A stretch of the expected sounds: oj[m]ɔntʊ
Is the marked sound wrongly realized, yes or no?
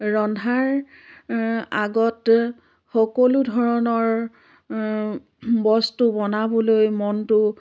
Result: no